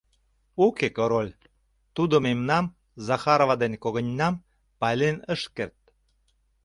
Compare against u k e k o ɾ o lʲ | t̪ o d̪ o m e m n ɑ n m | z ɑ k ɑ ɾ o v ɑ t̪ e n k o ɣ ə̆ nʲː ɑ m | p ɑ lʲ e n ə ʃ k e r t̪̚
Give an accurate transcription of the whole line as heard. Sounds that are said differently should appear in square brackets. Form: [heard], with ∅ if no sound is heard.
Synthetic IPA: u k e k o ɾ o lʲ | t̪ [u] d̪ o m e m n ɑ [∅] m | z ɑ [x] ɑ ɾ o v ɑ [d̪] e n k o ɣ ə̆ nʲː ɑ m | p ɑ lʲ e n ə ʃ k e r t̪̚